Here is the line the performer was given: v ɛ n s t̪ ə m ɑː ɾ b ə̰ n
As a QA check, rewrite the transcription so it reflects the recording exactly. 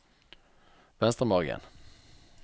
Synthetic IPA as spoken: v ɛ n s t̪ ə m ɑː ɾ ɡ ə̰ n